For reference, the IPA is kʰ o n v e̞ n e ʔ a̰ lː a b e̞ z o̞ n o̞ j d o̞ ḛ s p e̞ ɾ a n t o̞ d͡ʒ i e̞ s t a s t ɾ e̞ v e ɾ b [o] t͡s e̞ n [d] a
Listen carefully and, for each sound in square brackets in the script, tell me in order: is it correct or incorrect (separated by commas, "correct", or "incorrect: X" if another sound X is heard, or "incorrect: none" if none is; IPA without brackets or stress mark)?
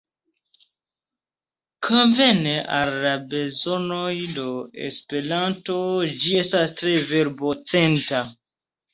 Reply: correct, incorrect: t